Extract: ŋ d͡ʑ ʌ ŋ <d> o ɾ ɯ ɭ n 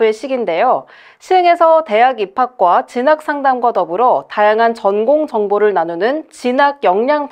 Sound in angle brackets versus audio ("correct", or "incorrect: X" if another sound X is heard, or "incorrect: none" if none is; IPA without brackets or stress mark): incorrect: b